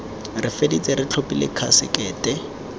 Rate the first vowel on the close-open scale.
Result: close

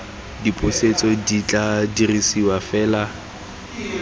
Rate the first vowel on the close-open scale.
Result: close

